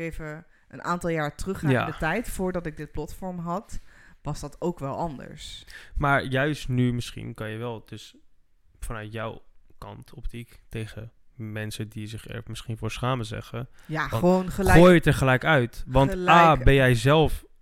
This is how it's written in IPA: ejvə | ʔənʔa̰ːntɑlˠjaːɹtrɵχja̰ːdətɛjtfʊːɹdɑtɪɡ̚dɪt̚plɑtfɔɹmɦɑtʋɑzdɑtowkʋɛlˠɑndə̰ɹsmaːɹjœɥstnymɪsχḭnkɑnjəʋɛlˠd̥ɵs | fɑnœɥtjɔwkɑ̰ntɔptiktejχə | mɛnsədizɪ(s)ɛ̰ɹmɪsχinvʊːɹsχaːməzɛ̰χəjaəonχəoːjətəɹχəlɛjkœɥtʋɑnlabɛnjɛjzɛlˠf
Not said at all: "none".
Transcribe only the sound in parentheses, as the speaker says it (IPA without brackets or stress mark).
χ